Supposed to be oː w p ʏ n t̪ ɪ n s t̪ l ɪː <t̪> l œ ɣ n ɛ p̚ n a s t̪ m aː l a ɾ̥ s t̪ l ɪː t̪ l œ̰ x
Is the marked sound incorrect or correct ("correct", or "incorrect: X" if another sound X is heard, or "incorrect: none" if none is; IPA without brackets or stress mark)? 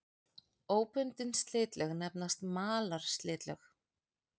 correct